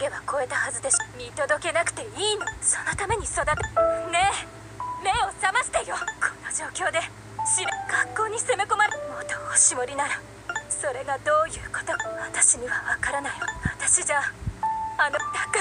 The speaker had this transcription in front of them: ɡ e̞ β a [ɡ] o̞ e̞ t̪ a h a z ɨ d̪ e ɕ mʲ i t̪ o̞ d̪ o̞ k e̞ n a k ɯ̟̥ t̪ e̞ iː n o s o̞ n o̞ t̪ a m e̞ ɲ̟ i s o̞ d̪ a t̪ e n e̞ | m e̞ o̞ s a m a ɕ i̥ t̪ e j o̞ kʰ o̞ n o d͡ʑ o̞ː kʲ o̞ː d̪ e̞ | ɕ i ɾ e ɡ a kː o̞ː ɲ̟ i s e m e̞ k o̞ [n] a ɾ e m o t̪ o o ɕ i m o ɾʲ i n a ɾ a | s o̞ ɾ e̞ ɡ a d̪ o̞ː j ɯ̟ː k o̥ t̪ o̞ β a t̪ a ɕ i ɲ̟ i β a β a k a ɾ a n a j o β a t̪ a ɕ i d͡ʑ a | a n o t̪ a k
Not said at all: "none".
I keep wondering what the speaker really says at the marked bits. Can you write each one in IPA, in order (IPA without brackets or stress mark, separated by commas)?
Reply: k, m